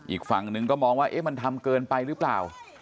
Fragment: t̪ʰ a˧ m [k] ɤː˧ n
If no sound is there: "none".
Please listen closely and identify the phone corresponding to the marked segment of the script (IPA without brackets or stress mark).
k